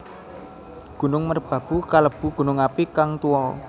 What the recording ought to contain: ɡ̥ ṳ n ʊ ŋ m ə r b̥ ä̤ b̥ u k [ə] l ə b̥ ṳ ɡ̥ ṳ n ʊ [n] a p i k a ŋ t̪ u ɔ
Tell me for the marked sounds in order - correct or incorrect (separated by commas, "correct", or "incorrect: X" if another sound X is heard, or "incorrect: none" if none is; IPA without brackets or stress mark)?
incorrect: a, incorrect: ŋ